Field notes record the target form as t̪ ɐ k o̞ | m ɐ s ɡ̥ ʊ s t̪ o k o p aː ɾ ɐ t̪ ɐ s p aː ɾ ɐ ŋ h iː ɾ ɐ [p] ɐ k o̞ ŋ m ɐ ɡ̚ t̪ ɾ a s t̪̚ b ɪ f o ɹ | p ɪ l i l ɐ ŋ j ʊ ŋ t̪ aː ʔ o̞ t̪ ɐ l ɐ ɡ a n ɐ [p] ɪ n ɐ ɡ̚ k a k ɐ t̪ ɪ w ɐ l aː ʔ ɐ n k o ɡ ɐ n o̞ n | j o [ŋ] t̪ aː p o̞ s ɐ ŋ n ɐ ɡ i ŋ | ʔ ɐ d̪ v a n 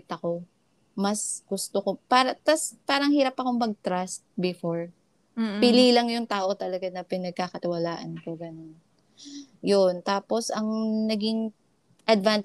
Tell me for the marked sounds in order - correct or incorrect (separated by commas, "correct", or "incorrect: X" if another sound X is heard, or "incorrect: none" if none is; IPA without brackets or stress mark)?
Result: correct, correct, incorrect: n